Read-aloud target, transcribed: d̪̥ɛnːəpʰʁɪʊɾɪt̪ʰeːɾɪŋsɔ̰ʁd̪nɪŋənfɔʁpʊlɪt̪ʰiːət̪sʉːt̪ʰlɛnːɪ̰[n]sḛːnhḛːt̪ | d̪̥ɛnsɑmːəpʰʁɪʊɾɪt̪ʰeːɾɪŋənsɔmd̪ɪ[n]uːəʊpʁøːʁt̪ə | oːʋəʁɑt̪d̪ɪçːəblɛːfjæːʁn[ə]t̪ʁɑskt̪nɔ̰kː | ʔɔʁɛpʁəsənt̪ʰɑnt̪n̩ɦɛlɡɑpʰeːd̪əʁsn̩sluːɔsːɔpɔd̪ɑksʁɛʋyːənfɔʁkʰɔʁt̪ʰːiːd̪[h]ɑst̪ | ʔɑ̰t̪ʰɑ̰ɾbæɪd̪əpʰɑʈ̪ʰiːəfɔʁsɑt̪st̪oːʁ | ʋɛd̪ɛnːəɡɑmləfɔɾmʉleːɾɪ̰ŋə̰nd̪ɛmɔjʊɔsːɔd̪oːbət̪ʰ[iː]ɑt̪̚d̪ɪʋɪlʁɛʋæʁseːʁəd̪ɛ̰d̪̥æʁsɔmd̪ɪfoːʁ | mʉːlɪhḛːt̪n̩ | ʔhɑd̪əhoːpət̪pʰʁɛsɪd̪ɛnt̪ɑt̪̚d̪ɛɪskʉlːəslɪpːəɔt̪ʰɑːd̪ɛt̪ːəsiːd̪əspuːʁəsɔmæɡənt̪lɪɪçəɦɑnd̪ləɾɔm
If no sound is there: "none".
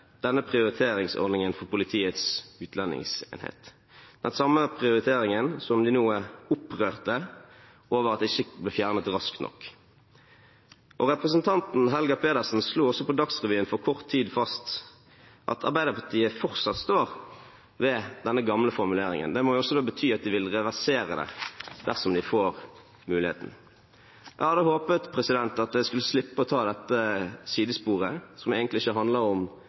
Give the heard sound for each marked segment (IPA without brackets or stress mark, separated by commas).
ŋ, n, ə, f, yː